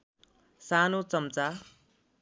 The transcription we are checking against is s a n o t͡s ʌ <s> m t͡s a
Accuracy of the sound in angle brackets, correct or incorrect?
incorrect